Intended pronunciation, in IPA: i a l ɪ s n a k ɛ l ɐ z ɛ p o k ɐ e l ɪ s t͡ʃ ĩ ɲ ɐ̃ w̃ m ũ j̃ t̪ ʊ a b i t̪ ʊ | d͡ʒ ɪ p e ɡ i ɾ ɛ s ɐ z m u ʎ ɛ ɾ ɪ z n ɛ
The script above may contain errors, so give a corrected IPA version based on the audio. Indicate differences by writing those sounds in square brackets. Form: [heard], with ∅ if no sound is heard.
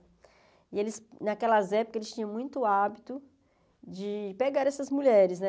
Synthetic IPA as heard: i [e] l ɪ s n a k ɛ l ɐ z ɛ p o k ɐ e l ɪ s t͡ʃ ĩ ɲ ɐ̃ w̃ m ũ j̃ t̪ ʊ a b i t̪ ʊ | d͡ʒ ɪ p e ɡ [a] ɾ ɛ s ɐ z m u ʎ ɛ ɾ ɪ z n ɛ